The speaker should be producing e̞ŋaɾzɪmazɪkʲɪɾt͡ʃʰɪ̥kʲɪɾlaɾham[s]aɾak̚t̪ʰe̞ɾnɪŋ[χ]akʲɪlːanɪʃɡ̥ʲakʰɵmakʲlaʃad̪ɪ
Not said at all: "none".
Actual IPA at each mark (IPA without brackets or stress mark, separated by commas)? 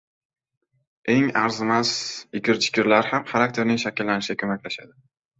χ, ʃ